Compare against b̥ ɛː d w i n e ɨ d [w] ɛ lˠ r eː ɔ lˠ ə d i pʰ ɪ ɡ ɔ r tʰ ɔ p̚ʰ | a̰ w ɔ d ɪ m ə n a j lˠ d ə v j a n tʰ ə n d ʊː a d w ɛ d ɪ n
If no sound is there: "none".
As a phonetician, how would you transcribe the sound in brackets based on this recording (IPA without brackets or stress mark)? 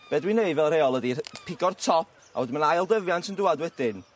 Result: v